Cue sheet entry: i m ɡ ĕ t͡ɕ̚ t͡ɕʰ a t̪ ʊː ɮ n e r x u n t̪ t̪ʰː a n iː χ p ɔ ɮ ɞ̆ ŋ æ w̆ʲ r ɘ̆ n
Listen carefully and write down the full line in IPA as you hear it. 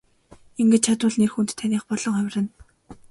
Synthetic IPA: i ŋ ɡ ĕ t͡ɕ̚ t͡ɕʰ a t̪ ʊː ɮ n e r x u n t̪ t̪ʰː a n iː χ p ɔ ɮ ɞ̆ ŋ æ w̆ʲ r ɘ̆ n